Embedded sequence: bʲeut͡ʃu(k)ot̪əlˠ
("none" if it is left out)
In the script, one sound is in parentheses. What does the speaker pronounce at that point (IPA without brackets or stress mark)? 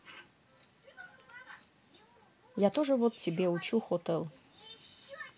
x